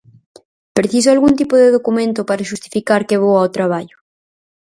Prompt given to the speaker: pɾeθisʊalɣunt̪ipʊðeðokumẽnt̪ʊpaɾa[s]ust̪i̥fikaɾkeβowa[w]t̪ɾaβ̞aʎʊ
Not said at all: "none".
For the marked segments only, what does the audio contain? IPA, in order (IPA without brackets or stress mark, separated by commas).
ʃ, w